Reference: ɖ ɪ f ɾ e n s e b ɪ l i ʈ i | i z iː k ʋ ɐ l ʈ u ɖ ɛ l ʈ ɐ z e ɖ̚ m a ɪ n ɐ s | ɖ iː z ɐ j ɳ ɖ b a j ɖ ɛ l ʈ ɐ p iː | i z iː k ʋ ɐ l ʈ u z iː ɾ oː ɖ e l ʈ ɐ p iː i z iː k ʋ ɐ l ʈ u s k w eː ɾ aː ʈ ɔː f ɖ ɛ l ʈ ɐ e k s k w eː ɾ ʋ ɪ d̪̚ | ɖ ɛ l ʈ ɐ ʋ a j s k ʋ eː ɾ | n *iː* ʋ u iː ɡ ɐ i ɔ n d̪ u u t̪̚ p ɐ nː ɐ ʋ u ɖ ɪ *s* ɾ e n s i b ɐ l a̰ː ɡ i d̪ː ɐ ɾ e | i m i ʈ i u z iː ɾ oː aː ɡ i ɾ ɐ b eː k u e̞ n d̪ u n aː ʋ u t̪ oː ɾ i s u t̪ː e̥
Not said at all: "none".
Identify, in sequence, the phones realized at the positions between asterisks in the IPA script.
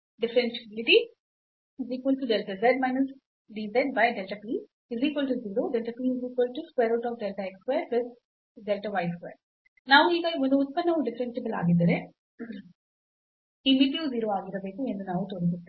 aː, f

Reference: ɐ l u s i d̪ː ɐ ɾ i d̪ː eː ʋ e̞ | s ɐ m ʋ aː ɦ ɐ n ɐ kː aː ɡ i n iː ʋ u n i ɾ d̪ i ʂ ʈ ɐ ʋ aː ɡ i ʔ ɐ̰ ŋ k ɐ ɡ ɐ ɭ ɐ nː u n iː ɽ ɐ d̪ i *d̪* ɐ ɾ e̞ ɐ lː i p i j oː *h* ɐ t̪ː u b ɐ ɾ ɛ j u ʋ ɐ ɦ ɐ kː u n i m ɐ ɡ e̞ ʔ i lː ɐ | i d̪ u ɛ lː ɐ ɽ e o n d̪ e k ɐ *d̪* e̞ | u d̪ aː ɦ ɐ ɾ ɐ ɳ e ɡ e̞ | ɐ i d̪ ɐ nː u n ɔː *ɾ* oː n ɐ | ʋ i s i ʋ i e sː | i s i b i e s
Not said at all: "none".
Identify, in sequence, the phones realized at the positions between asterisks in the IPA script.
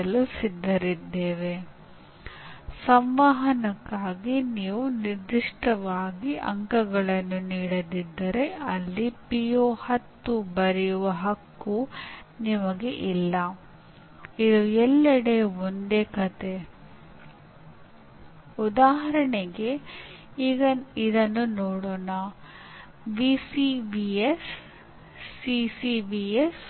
d̪ː, h, t̪, ɽ

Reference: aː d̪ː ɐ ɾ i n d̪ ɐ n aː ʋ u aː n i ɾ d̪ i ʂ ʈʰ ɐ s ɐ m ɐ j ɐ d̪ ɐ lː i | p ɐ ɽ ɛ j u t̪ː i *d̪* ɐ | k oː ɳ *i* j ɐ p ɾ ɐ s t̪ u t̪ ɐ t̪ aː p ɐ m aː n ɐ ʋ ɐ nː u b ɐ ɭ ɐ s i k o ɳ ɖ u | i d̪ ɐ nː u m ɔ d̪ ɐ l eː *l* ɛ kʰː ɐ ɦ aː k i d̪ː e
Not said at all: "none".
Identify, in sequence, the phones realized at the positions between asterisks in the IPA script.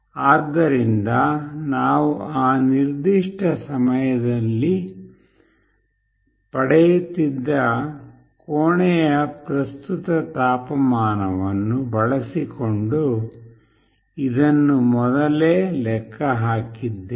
d̪ː, ɛ, l

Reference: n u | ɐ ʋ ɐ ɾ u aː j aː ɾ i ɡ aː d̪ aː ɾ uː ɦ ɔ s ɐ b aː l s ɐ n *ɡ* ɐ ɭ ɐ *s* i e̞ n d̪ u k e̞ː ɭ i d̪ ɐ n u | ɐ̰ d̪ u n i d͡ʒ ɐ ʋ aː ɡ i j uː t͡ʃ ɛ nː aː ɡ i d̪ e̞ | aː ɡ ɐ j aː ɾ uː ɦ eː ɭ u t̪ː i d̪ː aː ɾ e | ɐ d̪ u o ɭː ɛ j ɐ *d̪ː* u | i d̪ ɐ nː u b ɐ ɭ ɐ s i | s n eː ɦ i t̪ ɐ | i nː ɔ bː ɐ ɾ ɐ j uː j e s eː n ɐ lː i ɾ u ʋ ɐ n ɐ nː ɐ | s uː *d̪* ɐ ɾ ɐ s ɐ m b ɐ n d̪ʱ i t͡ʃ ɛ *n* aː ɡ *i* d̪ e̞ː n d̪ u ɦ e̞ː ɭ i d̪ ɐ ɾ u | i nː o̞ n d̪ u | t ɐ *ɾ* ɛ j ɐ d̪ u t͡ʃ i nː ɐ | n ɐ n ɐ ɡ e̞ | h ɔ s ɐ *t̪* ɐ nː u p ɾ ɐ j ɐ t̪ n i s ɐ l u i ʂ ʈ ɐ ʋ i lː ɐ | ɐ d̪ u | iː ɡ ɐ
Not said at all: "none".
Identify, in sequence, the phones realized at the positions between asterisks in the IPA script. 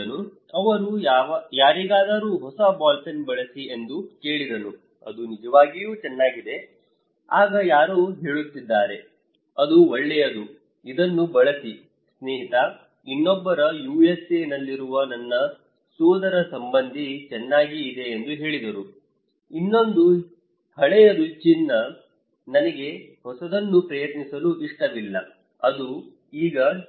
b, s, d̪, d̪, nː, iː, ɭ, d̪

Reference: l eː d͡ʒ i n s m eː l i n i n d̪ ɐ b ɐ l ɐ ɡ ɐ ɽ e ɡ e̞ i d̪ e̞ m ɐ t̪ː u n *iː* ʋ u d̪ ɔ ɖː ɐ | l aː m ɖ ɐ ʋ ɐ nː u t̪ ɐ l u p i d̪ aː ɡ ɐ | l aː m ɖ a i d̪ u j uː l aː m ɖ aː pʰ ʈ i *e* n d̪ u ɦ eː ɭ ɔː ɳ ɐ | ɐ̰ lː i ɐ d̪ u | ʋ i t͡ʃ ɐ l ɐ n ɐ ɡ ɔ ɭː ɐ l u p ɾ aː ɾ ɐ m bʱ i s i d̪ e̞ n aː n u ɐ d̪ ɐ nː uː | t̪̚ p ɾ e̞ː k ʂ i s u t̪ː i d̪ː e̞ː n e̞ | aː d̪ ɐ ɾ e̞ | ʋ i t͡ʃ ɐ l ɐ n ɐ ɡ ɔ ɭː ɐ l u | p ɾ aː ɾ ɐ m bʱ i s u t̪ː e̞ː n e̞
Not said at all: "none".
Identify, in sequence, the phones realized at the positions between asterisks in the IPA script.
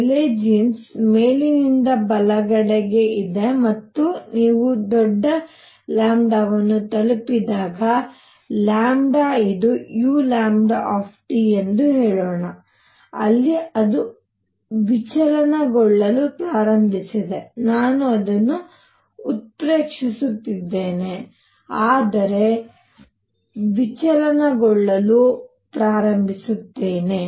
iː, e

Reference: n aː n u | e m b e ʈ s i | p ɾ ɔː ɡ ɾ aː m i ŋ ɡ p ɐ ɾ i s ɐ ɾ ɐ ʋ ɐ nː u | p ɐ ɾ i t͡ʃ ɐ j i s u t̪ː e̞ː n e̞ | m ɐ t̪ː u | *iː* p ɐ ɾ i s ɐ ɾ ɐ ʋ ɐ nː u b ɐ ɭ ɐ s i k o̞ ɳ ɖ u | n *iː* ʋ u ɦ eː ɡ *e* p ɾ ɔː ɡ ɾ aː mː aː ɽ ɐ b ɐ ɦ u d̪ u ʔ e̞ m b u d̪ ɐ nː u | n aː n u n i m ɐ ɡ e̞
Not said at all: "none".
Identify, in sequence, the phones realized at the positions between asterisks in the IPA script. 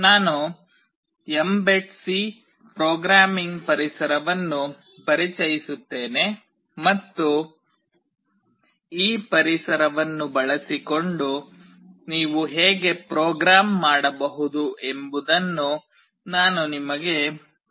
iː, iː, e

